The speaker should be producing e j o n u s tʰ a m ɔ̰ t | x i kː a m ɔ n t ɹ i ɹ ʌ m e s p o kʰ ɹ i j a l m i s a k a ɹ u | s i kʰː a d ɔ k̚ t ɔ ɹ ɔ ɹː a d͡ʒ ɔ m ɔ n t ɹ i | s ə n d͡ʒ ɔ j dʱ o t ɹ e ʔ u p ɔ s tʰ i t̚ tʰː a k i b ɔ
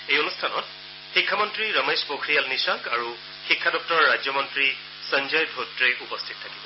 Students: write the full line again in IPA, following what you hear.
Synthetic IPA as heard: e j o n u s tʰ a n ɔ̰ t | x i kʰː a m ɔ n t ɹ i ɹ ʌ m e s p o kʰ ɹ i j a l n i s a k a ɹ u | x i kʰː a d ɔ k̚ t ɔ ɹ ɔ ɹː a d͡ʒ ɔ m ɔ n t ɹ i | s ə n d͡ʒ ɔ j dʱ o t ɹ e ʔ u p ɔ s tʰ i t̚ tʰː a k i b ɔ